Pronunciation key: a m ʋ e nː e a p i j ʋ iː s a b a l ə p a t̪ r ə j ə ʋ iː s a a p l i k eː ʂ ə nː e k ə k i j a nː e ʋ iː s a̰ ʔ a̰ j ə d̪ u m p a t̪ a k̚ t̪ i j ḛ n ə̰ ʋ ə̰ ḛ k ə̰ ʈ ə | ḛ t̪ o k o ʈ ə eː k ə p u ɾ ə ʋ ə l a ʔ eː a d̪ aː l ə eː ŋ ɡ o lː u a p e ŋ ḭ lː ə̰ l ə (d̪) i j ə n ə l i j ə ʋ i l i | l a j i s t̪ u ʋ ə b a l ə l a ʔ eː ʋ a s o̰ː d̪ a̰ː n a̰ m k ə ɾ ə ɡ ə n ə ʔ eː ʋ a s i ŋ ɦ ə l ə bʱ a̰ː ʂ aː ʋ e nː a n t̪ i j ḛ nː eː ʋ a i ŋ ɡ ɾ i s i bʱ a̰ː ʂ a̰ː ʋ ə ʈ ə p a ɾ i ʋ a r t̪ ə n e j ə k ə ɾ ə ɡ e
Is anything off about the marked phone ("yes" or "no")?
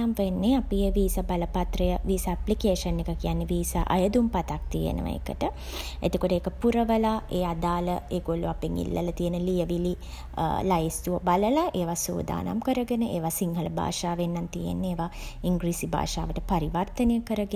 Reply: yes